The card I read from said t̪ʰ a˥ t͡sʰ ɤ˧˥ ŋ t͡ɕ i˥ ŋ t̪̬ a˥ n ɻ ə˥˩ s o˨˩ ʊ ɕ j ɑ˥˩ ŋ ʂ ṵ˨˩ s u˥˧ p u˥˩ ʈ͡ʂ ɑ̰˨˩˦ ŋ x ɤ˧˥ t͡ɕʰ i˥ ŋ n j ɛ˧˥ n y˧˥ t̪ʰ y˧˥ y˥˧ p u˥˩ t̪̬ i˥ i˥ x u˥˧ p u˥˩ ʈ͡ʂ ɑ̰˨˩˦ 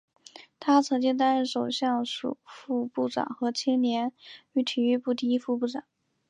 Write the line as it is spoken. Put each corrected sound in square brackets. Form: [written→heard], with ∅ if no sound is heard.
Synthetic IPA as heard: t̪ʰ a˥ t͡sʰ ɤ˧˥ ŋ t͡ɕ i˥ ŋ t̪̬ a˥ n ɻ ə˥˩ [s→ʂ] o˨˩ ʊ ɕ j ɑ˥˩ ŋ ʂ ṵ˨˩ [s→f] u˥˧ p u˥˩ ʈ͡ʂ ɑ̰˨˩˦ ŋ x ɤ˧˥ t͡ɕʰ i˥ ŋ n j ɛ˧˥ n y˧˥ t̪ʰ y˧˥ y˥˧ p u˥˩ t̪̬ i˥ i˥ [x→f] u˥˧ p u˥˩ ʈ͡ʂ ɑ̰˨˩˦